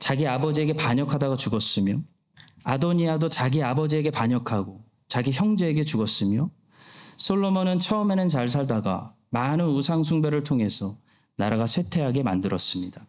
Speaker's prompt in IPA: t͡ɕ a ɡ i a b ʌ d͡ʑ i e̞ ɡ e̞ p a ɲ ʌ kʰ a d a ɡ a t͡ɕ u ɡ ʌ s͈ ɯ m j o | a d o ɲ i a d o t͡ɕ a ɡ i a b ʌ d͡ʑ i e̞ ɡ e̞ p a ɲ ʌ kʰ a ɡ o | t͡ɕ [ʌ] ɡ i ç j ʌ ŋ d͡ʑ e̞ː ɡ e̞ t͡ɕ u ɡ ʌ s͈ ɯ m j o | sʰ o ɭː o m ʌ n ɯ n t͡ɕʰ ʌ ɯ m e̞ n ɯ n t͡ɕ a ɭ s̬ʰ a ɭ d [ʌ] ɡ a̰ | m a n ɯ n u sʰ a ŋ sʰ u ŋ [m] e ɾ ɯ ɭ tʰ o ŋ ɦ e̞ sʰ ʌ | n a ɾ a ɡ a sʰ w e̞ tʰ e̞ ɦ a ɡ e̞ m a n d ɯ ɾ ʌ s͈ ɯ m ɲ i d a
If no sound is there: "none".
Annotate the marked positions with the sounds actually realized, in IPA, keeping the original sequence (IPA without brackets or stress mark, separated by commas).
a, a, b